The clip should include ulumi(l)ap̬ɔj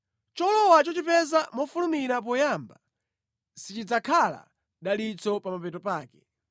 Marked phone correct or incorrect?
incorrect